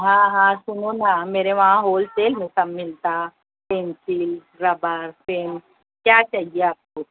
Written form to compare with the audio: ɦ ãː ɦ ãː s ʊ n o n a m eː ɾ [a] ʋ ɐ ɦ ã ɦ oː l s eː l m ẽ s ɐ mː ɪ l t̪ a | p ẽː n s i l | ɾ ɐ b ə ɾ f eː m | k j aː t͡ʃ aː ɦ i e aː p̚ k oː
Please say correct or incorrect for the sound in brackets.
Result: incorrect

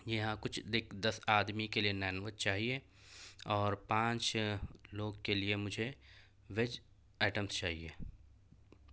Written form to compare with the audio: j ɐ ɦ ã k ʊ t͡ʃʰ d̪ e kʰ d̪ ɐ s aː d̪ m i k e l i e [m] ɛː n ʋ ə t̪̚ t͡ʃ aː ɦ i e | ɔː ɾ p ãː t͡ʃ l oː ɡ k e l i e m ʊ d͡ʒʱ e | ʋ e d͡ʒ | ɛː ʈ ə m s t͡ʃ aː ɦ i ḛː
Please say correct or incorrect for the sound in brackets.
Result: incorrect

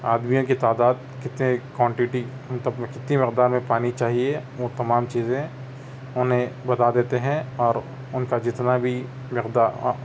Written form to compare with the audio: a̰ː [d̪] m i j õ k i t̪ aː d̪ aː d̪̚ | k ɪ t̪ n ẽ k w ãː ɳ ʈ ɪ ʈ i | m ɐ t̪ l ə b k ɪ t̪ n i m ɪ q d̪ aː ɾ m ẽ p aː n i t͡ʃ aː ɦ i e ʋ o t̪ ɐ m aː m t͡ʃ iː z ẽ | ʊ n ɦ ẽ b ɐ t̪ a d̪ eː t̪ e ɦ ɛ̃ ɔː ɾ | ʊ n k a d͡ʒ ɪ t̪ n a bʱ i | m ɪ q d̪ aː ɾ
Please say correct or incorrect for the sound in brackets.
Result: correct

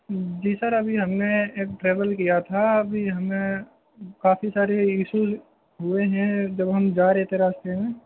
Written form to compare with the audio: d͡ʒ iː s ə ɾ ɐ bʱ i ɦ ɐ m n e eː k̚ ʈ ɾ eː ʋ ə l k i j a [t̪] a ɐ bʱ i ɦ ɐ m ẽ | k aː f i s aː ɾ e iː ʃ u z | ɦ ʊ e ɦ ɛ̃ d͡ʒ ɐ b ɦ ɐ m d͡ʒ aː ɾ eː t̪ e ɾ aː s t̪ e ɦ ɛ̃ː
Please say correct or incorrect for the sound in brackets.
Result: incorrect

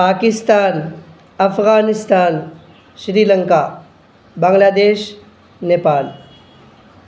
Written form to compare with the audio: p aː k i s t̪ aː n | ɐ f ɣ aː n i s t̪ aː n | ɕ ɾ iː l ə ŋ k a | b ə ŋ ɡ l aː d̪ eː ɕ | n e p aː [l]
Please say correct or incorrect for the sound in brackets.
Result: correct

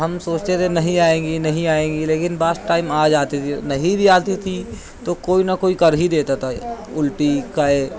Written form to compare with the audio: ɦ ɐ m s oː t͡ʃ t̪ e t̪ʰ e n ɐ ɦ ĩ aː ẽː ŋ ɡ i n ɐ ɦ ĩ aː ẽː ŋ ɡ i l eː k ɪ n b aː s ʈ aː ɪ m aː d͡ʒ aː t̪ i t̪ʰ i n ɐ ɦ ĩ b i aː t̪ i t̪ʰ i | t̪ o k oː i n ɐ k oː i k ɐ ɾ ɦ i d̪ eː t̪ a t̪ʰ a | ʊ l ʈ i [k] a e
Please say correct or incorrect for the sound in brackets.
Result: correct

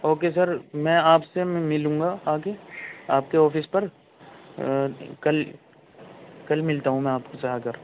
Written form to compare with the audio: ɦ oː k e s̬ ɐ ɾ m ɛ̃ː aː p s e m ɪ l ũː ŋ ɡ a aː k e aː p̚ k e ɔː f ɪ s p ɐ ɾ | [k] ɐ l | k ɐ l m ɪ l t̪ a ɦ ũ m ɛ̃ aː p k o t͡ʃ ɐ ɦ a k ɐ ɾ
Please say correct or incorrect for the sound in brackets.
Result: correct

